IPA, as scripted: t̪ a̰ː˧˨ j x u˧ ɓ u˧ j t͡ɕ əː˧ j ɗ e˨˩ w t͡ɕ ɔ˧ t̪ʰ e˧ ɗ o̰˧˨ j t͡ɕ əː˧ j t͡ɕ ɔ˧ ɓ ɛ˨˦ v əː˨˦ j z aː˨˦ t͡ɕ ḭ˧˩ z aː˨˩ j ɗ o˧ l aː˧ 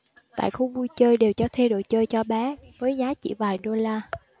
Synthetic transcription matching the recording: t̪ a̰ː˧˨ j x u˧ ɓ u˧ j t͡ɕ əː˧ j ɗ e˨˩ w t͡ɕ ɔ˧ t̪ʰ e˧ ɗ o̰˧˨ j t͡ɕ əː˧ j t͡ɕ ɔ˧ ɓ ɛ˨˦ v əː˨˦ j z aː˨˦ t͡ɕ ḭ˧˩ v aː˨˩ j ɗ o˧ l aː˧

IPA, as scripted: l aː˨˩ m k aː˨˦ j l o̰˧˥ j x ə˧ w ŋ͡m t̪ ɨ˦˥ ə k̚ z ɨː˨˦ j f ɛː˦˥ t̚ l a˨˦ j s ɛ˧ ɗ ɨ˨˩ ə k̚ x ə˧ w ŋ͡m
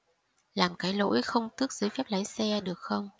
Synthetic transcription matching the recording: l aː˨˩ m k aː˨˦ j l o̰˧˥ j x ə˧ w ŋ͡m t̪ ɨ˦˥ ə k̚ z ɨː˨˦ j f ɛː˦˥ p̚ l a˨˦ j s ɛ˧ ɗ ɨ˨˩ ə k̚ x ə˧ w ŋ͡m

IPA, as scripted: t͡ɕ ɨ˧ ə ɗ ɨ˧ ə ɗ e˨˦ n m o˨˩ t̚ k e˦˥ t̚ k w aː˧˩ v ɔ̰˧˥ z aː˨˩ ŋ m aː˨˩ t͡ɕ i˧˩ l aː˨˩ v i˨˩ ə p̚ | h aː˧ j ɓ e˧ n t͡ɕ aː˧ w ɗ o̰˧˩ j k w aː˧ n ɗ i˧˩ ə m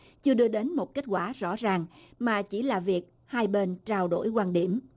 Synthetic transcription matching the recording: t͡ɕ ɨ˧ ə ɗ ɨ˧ ə ɗ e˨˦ n m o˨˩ t̚ k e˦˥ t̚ k w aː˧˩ z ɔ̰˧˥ z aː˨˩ ŋ m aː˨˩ t͡ɕ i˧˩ l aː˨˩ v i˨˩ ə k̚ | h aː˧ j ɓ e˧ n t͡ɕ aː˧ w ɗ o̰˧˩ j k w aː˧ n ɗ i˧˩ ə m

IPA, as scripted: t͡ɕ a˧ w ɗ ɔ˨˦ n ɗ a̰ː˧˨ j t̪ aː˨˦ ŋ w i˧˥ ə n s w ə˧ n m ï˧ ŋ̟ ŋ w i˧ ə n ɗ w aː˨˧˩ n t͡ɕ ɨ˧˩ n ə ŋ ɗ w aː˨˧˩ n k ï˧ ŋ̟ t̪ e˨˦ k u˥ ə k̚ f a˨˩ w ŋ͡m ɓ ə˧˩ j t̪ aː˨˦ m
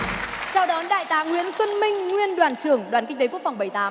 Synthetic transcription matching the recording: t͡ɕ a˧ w ɗ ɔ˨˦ n ɗ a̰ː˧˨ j t̪ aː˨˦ ŋ w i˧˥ ə n s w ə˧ n m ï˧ ŋ̟ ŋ w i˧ ə n ɗ w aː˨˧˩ n t͡ɕ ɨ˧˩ ə ŋ ɗ w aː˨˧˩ n k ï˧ ŋ̟ t̪ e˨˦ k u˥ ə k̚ f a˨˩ w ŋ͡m ɓ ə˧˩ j t̪ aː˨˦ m

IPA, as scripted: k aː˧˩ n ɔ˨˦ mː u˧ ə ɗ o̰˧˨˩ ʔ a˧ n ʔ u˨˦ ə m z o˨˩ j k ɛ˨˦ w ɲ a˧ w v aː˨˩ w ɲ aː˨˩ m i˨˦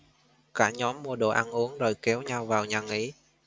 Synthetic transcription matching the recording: k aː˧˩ ɲ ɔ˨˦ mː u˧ ə ɗ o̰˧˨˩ ʔ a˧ n ʔ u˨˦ ə ŋ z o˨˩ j k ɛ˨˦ w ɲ a˧ w v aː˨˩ w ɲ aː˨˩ ŋ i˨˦

